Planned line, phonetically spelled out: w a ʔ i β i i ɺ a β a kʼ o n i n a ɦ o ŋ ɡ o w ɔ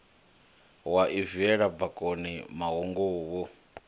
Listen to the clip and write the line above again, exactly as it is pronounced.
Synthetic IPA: w a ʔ i v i ɛ ɺ a b a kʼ o n i m a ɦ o ŋ ɡ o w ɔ